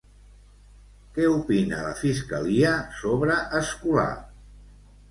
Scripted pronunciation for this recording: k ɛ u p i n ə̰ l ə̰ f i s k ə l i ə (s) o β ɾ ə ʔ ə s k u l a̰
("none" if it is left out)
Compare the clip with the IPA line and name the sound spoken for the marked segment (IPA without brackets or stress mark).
s